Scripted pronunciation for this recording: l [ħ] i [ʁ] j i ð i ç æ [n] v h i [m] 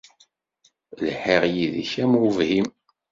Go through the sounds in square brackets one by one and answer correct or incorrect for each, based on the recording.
correct, correct, incorrect, correct

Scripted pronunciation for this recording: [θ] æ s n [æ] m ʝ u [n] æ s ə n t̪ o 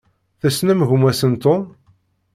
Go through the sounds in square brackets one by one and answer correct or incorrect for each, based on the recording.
correct, correct, incorrect

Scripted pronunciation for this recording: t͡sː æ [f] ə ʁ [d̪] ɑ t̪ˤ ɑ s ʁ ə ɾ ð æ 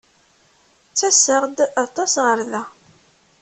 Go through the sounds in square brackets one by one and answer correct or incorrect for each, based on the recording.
incorrect, correct

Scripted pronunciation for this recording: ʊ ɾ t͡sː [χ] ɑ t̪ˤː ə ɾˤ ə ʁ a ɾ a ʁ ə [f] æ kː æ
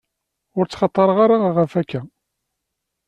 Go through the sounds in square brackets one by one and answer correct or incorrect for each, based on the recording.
correct, correct

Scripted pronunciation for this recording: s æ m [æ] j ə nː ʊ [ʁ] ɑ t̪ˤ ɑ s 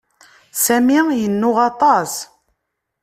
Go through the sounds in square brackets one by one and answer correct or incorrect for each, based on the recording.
incorrect, correct

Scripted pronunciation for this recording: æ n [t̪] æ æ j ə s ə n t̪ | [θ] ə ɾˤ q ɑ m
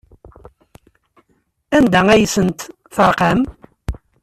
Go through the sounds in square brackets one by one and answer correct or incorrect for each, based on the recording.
incorrect, correct

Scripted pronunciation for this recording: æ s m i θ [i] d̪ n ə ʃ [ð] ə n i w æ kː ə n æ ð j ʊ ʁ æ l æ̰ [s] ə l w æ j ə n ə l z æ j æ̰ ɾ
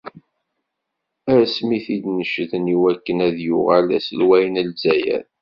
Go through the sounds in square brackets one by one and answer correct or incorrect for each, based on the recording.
correct, correct, correct

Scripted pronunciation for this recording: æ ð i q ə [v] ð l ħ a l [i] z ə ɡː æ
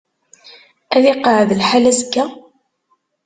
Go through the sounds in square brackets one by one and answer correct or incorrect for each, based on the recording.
incorrect, incorrect

